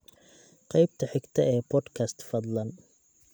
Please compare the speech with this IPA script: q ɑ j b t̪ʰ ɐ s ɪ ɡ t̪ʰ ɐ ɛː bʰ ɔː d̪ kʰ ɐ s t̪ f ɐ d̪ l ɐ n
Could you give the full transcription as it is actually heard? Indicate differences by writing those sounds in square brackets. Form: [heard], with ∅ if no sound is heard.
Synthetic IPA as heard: q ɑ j b t̪ʰ ɐ [ħ] ɪ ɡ t̪ʰ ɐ ɛː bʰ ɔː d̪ kʰ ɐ s t̪ f ɐ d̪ l ɐ n

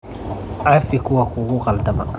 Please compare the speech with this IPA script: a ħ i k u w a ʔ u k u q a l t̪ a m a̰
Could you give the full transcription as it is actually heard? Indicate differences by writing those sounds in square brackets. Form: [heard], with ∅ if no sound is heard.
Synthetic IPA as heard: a [f] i k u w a [k] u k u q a l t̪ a m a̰

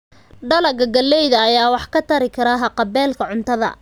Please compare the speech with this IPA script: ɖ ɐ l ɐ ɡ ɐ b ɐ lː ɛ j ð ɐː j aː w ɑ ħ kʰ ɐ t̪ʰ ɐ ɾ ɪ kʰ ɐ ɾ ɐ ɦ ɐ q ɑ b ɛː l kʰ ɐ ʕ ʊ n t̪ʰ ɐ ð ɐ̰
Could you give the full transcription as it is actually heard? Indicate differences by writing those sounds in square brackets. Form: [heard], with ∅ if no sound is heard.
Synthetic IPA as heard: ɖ ɐ l ɐ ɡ ɐ [ɡ] ɐ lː ɛ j ð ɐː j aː w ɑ ħ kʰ ɐ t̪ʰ ɐ ɾ ɪ kʰ ɐ ɾ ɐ ɦ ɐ q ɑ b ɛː l kʰ ɐ ʕ ʊ n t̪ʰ ɐ ð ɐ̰

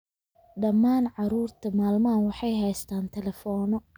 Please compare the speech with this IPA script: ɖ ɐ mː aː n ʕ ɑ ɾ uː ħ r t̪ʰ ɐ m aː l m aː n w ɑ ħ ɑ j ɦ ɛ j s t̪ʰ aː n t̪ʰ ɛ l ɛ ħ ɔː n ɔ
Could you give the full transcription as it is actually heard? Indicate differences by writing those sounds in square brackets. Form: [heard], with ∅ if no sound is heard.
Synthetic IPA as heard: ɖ ɐ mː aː n ʕ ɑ ɾ uː [∅] r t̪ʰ ɐ m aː l m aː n w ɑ ħ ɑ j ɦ ɛ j s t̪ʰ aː n t̪ʰ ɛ l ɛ [f] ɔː n ɔ

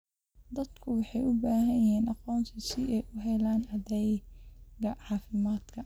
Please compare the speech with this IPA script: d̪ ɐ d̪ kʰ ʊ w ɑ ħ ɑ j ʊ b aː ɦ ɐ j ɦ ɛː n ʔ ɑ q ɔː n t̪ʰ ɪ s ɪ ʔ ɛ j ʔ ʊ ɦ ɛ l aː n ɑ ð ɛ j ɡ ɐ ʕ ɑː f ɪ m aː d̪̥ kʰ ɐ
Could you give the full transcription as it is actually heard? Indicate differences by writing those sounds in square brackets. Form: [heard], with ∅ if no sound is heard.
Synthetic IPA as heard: d̪ ɐ d̪ kʰ ʊ w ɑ ħ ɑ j ʊ b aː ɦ ɐ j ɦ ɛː n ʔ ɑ q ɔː n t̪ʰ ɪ s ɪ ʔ ɛ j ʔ ʊ ɦ ɛ l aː n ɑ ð ɛ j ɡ ɐ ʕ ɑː f ɪ m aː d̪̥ kʰ ɐ

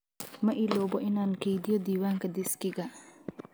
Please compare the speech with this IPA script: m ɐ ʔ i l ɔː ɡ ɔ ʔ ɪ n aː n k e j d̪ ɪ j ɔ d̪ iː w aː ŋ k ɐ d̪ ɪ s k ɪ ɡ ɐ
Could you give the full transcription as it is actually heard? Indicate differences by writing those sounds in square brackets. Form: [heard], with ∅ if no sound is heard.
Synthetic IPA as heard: m ɐ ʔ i l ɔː [b] ɔ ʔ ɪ n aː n k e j d̪ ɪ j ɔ d̪ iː w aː ŋ k ɐ d̪ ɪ s k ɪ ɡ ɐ

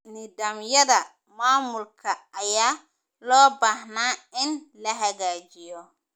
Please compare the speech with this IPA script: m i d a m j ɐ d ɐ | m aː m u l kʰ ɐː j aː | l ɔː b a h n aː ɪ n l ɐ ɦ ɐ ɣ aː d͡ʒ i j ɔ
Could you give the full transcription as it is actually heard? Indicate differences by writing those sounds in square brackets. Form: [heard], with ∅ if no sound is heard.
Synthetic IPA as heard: [n] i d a m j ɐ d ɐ | m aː m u l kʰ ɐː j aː | l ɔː b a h n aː ɪ n l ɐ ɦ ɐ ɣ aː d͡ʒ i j ɔ

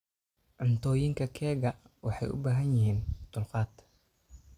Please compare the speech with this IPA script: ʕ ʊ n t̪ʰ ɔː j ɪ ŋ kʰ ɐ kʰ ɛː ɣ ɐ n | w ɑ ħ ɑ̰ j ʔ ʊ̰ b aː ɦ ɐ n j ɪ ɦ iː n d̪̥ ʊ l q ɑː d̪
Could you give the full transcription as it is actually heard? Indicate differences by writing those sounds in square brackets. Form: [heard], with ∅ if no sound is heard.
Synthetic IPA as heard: ʕ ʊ n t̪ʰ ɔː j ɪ ŋ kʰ ɐ kʰ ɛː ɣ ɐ [∅] | w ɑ ħ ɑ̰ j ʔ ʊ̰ b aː ɦ ɐ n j ɪ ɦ iː n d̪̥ ʊ l q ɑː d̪

